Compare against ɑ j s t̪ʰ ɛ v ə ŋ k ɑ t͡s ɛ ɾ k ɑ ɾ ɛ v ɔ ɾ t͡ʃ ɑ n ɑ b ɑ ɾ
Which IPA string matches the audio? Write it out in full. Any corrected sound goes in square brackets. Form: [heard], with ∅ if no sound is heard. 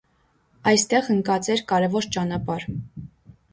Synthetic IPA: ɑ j s [t̪] ɛ [ʁ] ə ŋ k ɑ t͡s ɛ ɾ k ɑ ɾ ɛ v ɔ ɾ t͡ʃ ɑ n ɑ [p] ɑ ɾ